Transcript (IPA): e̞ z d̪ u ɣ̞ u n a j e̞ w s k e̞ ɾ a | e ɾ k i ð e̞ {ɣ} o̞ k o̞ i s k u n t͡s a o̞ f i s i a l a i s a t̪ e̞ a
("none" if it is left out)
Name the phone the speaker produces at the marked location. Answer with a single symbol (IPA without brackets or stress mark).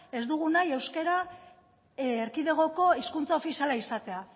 ɣ